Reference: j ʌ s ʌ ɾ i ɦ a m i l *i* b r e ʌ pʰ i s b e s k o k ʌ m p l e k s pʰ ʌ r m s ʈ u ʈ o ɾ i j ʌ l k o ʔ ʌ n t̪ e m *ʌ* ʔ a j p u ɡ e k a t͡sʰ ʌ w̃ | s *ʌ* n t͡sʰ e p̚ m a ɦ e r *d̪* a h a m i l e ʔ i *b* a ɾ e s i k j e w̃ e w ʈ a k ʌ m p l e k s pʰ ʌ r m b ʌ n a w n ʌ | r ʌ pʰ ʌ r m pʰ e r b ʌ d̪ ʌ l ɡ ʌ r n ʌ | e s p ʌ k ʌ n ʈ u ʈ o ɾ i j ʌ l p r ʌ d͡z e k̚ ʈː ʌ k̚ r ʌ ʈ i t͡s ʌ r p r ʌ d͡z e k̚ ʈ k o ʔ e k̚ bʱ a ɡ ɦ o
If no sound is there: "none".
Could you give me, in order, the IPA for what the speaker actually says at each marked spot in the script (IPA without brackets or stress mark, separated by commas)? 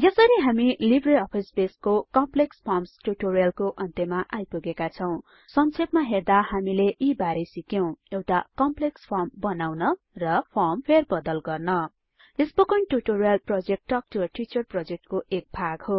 i, a, ʌ, d̪, b